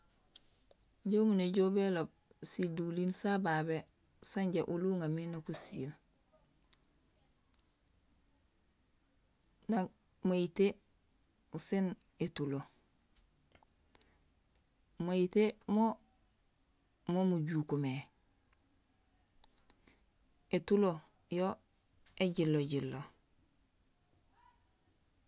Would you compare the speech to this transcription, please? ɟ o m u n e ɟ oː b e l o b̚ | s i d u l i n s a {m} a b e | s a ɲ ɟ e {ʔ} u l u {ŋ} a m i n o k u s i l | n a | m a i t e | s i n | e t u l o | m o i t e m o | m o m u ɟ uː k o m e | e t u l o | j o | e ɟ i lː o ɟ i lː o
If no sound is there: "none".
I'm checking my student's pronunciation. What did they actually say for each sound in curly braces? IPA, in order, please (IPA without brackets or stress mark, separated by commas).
b, ʔ, ŋ